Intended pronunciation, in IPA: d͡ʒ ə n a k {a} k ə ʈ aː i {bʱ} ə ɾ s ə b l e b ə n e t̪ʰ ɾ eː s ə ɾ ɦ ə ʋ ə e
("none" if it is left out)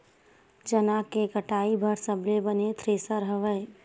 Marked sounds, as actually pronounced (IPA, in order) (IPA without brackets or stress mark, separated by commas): e, bʱ